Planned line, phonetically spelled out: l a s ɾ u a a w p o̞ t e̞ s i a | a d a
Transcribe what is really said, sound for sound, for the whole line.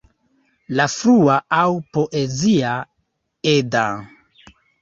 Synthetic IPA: l a f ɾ u a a w p o̞ ʔ e̞ z i a | e d a